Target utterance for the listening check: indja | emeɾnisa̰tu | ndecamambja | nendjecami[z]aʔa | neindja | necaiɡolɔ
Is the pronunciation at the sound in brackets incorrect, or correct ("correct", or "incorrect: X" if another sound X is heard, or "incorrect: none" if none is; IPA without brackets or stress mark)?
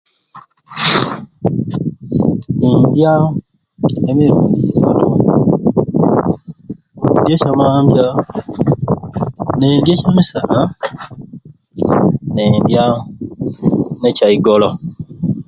incorrect: s